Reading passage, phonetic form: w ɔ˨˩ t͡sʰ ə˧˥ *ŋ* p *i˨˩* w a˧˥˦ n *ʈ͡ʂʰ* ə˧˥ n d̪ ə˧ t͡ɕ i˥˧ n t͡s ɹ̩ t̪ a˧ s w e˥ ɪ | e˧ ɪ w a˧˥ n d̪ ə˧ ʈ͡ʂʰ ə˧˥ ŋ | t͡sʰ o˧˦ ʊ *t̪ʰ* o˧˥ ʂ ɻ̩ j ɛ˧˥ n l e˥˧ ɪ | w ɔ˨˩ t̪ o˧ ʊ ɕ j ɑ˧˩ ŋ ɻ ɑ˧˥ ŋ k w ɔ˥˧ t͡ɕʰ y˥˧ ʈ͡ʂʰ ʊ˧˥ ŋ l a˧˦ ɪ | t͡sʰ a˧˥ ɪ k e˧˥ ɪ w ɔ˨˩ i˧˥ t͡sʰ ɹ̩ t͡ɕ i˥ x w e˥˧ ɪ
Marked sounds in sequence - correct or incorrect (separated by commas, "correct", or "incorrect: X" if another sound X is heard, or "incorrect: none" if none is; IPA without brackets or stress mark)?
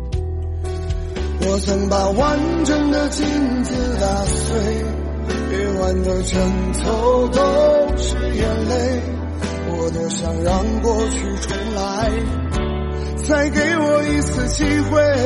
correct, incorrect: a˨˩, incorrect: ʈ͡ʂ, incorrect: t̪